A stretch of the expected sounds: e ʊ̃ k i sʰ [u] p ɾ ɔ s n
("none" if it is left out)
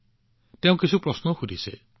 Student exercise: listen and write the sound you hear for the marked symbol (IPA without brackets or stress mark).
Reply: u